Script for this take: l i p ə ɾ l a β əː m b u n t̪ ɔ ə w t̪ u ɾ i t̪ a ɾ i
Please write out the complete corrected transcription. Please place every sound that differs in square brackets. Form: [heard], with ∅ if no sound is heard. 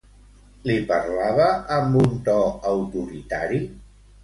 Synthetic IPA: l i p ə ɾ l a β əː m b u n t̪ ɔ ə w t̪ u ɾ i t̪ a ɾ i